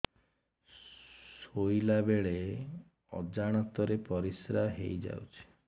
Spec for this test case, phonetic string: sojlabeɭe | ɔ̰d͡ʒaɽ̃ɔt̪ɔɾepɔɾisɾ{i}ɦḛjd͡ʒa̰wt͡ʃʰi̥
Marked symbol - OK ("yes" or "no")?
no